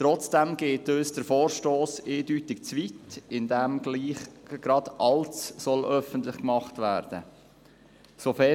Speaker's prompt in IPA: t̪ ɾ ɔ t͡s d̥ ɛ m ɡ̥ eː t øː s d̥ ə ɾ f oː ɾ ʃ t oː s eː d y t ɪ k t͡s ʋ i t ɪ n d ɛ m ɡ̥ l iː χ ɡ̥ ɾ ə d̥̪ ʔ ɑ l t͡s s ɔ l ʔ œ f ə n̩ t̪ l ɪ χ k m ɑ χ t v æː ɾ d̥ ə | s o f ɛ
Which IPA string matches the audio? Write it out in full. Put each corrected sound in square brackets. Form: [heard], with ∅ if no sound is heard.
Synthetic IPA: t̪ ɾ ɔ t͡s d̥ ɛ m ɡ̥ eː t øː s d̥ ə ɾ f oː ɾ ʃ t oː s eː d y t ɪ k t͡s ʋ i t ɪ n d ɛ m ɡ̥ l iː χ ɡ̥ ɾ [ɑ] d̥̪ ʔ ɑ l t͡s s ɔ l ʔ œ f ə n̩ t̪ l ɪ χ k m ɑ χ t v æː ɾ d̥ ə | s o f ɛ